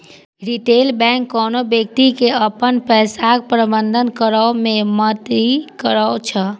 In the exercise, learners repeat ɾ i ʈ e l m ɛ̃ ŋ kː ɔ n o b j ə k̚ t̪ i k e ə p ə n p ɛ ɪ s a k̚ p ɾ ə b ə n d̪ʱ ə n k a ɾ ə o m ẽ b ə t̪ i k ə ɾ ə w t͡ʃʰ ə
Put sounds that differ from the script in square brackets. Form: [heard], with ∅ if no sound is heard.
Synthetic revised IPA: ɾ i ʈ e l [b] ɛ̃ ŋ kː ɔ n o b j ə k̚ t̪ i k e ə p ə n p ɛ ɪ s a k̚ p ɾ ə b ə n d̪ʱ ə n k [ə] ɾ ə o m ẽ [m] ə t̪ i k ə ɾ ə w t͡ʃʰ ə